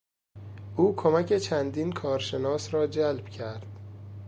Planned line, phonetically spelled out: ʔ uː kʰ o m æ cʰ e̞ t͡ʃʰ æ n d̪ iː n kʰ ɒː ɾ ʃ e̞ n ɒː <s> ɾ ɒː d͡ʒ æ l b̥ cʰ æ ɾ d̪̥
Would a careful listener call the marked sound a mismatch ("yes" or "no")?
no